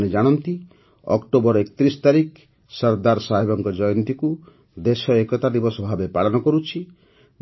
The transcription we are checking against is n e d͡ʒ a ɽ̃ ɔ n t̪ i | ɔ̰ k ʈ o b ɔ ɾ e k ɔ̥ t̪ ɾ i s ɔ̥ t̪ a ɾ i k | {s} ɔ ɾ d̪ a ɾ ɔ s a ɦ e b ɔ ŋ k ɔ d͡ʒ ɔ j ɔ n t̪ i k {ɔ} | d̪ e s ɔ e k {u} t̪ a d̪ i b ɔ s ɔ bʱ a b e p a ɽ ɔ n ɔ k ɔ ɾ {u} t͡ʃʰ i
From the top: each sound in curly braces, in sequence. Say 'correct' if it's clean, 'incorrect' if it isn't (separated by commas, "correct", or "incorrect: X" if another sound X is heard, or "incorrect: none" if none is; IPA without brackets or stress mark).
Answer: correct, incorrect: u, incorrect: ɔ, correct